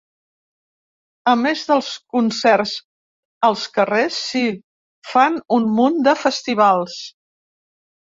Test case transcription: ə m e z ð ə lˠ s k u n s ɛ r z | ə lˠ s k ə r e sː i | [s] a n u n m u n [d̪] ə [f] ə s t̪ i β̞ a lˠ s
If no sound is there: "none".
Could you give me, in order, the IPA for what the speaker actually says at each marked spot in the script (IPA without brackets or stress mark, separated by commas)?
f, d̪, f